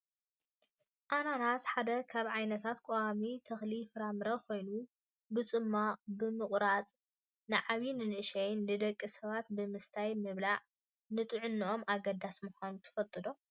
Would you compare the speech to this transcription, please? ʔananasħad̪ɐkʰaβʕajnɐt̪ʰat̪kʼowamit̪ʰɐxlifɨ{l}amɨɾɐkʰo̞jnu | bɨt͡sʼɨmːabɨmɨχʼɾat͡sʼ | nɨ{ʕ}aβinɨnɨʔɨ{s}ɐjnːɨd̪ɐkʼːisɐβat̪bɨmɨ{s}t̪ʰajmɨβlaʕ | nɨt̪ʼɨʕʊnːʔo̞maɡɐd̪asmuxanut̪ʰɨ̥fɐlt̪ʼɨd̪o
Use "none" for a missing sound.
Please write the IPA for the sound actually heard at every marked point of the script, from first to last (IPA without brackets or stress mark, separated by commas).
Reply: ɾ, ʕ, ʃ, s